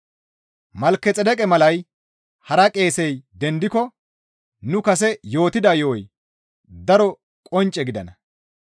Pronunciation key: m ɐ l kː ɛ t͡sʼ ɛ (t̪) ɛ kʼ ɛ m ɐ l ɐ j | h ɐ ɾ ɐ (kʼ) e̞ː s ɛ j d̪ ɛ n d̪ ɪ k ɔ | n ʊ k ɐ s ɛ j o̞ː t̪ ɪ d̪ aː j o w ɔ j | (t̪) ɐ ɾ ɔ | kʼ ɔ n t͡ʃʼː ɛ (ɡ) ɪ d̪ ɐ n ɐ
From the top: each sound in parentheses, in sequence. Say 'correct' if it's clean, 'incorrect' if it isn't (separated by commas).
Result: incorrect, correct, incorrect, correct